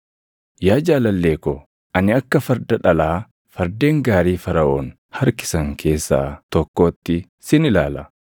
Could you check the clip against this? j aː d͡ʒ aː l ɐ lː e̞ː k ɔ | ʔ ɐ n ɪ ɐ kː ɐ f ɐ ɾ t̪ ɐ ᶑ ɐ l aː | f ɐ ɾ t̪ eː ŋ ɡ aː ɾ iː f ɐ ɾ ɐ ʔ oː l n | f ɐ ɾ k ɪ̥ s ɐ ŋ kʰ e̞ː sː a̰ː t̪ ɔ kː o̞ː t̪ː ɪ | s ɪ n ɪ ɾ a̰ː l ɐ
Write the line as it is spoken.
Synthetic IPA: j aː d͡ʒ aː l ɐ lː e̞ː k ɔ | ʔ ɐ n ɪ ɐ kː ɐ f ɐ ɾ d̪ ɐ ᶑ ɐ l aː | f ɐ ɾ d̪ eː ŋ ɡ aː ɾ iː f ɐ ɾ ɐ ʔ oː n | h ɐ ɾ k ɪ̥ s ɐ ŋ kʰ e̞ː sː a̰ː t̪ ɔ kː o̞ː t̪ː ɪ | s ɪ n ɪ l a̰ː l ɐ